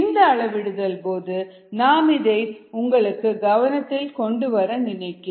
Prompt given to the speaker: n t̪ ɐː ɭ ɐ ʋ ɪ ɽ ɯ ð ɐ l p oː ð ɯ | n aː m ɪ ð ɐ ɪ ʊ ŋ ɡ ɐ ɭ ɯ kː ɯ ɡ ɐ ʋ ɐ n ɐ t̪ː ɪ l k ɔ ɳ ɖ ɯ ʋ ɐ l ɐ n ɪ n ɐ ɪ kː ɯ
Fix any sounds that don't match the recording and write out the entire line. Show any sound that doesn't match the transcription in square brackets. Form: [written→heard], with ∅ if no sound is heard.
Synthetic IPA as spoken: n [t̪→d̪] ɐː ɭ ɐ ʋ ɪ ɽ ɯ ð ɐ l p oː ð ɯ | n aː m ɪ ð ɐ ɪ ʊ ŋ ɡ ɐ ɭ ɯ kː ɯ ɡ ɐ ʋ ɐ n ɐ t̪ː ɪ l k ɔ ɳ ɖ ɯ ʋ ɐ [l→ɾ] ɐ n ɪ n ɐ ɪ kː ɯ